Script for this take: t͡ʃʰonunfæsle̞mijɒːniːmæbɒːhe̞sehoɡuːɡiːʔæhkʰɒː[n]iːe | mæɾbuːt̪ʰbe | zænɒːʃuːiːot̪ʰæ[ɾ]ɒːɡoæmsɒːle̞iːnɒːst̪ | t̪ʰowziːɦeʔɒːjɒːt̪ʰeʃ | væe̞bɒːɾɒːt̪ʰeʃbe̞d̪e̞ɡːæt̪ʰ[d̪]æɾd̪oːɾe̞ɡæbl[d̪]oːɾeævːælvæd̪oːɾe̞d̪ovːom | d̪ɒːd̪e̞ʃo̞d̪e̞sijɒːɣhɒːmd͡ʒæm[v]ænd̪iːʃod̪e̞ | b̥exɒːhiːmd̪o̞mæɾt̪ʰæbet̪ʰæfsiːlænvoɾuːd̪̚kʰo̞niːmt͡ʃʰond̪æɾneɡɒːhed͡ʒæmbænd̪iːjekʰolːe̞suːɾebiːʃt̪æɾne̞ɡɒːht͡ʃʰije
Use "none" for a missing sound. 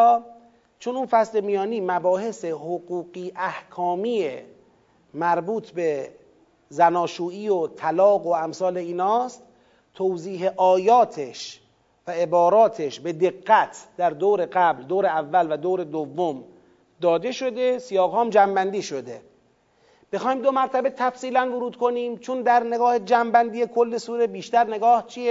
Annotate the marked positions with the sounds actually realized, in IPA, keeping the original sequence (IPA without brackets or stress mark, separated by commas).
m, l, d̪, d̪, b